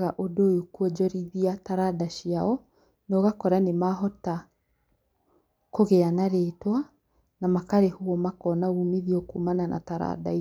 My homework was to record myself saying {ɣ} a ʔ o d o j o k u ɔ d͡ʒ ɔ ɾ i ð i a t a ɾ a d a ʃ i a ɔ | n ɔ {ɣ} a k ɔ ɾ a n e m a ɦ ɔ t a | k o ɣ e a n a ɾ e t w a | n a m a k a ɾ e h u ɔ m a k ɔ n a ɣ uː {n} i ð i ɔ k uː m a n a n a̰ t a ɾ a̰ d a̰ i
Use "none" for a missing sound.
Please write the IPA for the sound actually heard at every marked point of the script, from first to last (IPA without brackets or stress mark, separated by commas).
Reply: ɣ, ɣ, m